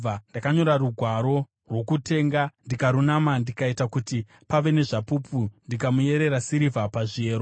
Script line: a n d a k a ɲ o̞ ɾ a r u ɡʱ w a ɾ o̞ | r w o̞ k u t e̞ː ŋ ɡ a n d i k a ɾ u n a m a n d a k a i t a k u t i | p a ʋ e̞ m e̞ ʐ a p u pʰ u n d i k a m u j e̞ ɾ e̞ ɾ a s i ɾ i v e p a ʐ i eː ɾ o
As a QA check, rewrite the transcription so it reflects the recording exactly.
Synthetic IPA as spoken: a n d a k a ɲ o̞ ɾ a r u ɡʱ w a ɾ o̞ | r w o̞ k u t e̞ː ŋ ɡ a n d i k a ɾ u n a m a n d i k a i t a k u t i | p a ʋ e̞ n e̞ ʐ a p u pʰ u n d i k a m u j e̞ ɾ e̞ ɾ a s i ɾ i v a p a ʐ i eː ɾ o